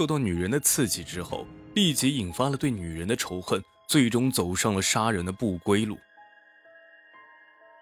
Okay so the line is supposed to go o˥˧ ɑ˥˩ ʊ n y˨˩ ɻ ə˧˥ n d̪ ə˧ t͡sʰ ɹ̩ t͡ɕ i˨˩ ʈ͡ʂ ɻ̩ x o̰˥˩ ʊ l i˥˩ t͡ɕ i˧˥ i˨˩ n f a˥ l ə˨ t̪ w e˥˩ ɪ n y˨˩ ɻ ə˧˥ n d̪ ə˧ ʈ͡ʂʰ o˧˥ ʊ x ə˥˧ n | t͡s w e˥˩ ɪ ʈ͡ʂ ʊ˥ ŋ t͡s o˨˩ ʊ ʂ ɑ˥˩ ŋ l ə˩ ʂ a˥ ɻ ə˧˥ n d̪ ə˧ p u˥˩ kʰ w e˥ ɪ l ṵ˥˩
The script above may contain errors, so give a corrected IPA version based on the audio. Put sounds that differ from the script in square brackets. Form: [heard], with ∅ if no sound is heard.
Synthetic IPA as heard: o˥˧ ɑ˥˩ ʊ n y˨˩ ɻ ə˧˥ n d̪ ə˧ t͡sʰ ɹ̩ t͡ɕ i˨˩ ʈ͡ʂ ɻ̩ x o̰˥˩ ʊ l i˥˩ t͡ɕ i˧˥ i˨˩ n f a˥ l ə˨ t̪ w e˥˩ ɪ n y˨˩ ɻ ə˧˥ n d̪ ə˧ ʈ͡ʂʰ o˧˥ ʊ x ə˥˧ n | t͡s w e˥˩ ɪ ʈ͡ʂ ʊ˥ ŋ t͡s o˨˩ ʊ ʂ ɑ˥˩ ŋ l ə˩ ʂ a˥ ɻ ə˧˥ n d̪ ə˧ p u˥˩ [k] w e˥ ɪ l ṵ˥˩